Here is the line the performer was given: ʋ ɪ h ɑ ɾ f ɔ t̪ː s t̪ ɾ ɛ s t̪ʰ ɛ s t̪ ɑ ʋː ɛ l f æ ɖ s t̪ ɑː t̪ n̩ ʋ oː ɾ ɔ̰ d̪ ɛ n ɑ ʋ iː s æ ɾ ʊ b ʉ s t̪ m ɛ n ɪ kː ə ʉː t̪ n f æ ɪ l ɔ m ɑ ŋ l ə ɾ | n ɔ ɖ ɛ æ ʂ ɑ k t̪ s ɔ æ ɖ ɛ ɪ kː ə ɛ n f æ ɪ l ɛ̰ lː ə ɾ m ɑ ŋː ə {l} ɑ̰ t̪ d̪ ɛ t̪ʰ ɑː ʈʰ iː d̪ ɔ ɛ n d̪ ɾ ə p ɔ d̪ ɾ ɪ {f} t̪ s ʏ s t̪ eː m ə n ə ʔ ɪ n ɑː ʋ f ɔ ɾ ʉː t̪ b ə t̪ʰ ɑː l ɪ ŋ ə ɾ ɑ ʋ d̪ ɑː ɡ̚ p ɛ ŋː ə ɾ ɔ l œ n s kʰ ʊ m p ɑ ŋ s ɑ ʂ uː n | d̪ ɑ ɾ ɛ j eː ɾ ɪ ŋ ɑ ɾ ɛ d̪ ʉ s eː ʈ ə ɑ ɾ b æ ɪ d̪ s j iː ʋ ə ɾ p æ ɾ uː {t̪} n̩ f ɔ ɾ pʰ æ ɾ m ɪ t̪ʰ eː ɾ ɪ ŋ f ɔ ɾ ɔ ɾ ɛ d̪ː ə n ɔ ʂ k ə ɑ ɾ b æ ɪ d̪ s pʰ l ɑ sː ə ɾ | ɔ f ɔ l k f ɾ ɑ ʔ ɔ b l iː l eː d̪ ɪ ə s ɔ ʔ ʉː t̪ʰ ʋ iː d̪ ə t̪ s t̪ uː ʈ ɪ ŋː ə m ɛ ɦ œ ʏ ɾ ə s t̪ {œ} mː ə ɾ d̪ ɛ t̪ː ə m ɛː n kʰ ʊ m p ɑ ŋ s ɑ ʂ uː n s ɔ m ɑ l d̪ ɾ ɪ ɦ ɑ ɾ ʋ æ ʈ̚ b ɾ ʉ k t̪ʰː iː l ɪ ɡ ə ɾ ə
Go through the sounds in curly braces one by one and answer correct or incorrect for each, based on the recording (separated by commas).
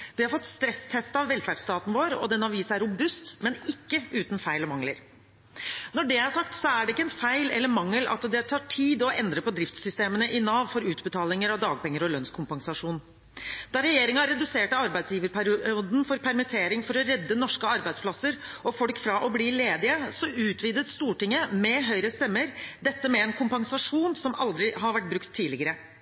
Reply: correct, correct, incorrect, incorrect